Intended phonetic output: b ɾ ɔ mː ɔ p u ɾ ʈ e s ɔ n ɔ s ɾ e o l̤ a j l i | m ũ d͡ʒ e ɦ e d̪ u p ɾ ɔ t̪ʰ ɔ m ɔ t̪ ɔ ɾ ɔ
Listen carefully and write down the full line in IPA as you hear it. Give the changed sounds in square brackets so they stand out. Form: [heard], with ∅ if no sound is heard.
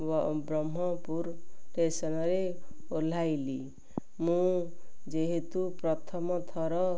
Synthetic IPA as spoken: b ɾ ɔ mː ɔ p u ɾ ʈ e s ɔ n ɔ [∅] ɾ e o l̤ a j l i | m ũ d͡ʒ e ɦ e [t̪] u p ɾ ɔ t̪ʰ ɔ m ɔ [t̪ʰ] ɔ ɾ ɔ